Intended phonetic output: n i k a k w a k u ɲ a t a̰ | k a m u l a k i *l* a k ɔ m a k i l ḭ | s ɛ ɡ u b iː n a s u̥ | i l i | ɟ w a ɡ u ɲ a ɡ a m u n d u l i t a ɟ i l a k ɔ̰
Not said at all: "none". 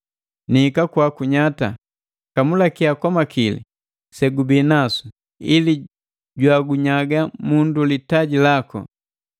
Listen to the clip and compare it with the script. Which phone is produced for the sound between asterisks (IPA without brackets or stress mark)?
none